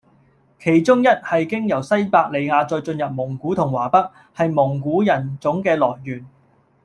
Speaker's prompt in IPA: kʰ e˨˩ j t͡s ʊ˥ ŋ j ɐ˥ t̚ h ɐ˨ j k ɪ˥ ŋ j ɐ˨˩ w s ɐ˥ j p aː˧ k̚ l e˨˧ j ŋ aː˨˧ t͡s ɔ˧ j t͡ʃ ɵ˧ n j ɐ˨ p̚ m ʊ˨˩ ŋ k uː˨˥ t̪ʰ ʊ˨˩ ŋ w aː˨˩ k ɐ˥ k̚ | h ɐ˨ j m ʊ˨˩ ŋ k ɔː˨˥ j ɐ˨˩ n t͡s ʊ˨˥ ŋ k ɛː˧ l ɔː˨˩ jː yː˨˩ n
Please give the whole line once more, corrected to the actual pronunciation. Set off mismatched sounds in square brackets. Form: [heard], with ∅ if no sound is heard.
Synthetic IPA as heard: kʰ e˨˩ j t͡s ʊ˥ ŋ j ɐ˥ t̚ h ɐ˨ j k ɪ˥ ŋ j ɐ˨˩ w s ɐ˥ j p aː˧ k̚ l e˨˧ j ŋ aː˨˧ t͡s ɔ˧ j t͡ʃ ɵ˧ n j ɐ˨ p̚ m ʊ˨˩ ŋ k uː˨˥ t̪ʰ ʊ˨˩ ŋ w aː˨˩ [p] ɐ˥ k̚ | h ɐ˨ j m ʊ˨˩ ŋ k [uː˨˥] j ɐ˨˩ n t͡s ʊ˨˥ ŋ k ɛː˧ l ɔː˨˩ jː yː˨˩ n